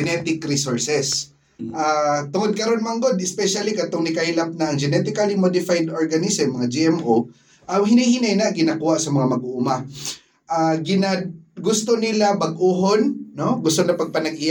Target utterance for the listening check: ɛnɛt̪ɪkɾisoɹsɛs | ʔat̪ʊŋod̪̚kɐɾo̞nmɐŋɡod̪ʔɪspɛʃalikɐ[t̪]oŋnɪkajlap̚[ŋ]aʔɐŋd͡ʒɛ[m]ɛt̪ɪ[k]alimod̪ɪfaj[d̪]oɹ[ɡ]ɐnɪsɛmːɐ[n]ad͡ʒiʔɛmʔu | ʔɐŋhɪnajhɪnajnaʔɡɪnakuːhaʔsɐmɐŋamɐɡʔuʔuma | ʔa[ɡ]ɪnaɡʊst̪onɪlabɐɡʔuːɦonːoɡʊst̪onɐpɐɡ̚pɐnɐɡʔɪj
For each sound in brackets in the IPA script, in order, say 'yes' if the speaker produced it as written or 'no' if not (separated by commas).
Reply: yes, no, no, yes, yes, yes, no, yes